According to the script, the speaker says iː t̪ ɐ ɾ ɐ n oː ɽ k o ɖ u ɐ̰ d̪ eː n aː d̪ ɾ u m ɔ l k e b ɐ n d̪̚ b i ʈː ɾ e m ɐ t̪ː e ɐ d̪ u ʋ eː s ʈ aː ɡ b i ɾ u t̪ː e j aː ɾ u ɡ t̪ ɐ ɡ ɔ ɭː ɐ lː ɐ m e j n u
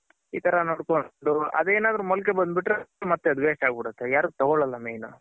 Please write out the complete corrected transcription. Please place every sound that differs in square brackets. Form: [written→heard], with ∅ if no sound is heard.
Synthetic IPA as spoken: iː t̪ ɐ ɾ ɐ n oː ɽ k o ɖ u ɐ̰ d̪ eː n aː d̪ ɾ u m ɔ l k e b ɐ n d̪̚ b i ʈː ɾ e m ɐ t̪ː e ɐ d̪ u ʋ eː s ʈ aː ɡ b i [ɾ→ɽ] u t̪ː e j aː ɾ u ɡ t̪ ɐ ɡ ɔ [ɭː→ɭ] ɐ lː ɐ m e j n u

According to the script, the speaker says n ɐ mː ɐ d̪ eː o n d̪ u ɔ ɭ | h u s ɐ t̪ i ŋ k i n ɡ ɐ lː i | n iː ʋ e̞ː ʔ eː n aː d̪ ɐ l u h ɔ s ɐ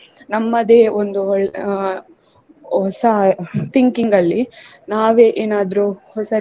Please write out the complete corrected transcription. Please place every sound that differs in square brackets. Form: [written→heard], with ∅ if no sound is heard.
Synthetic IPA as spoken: n ɐ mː ɐ d̪ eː o n d̪ u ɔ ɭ | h [u→ɔ] s ɐ t̪ i ŋ k i [n→ŋ] ɡ ɐ lː i | n [iː→aː] ʋ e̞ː ʔ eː n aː d̪ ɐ [l→ɾ] u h ɔ s ɐ

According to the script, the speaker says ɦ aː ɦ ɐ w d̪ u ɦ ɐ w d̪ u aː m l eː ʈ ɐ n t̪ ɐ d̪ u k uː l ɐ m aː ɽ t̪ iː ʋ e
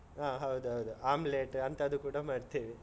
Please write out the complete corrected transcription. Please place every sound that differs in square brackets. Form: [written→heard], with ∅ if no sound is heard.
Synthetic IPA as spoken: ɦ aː ɦ ɐ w d̪ u ɦ ɐ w d̪ u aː m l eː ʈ ɐ n t̪ ɐ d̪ u k uː [l→ɽ] ɐ m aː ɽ t̪ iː ʋ [e→i]

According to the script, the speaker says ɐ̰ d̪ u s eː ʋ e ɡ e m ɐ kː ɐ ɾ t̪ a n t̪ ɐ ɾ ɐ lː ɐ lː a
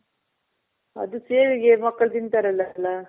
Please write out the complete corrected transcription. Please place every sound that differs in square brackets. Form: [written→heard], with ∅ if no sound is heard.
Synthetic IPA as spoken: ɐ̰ d̪ u s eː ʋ [e→i] ɡ e m ɐ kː ɐ [ɾ→ɭ] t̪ [a→i] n t̪ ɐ ɾ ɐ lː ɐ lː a

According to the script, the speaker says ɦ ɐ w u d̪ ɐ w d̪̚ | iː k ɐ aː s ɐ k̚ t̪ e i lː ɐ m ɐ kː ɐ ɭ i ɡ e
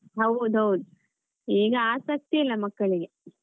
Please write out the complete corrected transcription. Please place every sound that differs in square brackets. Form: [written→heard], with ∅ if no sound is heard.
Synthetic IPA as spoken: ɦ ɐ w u d̪ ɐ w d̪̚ | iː [k→ɡ] ɐ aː s ɐ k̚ t̪ [e→i] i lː ɐ m ɐ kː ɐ ɭ i ɡ e

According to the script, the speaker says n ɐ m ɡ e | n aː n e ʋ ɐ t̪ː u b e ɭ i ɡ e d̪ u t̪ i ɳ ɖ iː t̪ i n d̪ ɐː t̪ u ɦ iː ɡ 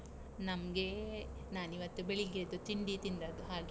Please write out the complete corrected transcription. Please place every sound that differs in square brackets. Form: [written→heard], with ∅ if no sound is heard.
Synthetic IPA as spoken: n ɐ m ɡ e | n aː n [e→i] ʋ ɐ t̪ː u b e ɭ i ɡ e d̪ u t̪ i ɳ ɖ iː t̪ i n d̪ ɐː [t̪→d̪] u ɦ [iː→aː] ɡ

